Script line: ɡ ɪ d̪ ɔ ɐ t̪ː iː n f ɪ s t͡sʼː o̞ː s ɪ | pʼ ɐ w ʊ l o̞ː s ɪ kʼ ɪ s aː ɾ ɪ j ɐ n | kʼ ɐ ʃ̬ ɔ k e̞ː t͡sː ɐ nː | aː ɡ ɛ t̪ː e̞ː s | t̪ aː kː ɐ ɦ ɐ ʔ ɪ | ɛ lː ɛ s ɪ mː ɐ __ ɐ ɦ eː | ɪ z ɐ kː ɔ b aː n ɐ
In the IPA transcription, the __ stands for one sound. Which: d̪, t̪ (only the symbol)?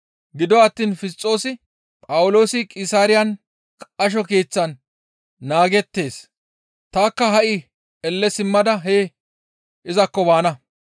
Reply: d̪